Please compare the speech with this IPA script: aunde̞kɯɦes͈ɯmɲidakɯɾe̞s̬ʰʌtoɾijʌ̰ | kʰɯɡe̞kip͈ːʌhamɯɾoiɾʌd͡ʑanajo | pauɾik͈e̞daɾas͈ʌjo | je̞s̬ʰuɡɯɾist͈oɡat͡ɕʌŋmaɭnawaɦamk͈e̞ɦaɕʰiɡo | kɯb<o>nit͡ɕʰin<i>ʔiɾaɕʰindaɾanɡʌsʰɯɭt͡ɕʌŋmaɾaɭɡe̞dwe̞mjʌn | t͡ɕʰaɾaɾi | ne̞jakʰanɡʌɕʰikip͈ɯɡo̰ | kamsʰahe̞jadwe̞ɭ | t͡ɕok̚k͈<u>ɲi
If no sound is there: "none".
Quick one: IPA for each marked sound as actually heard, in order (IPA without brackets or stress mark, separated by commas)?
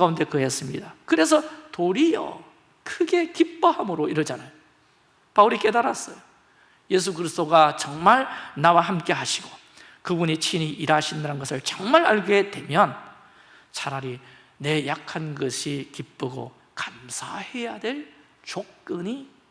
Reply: u, i, ɯ